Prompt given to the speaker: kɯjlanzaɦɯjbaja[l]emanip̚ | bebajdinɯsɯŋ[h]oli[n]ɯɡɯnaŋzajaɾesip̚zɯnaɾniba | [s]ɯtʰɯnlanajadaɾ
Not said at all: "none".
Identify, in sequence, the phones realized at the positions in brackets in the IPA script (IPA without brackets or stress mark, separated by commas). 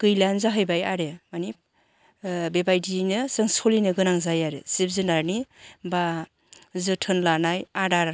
ɾ, s, n, z